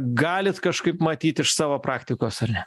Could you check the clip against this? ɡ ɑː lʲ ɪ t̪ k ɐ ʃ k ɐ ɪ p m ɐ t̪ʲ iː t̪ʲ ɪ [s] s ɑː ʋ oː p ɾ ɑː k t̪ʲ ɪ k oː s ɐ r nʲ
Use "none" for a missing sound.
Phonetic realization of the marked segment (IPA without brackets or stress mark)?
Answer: ʃ